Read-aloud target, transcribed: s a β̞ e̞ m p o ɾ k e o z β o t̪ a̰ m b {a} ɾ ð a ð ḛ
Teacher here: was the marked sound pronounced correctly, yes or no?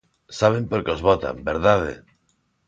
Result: no